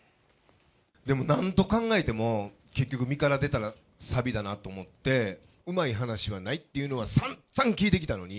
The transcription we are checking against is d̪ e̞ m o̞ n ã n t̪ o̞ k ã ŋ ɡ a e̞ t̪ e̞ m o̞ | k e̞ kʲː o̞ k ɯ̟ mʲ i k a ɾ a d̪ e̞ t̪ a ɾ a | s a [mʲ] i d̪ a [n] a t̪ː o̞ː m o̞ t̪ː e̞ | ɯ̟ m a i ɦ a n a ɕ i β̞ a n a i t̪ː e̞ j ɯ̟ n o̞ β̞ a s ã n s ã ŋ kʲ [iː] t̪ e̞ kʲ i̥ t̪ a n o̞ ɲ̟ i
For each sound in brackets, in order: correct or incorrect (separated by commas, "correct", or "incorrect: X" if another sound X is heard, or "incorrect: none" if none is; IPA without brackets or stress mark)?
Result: incorrect: bʲ, correct, correct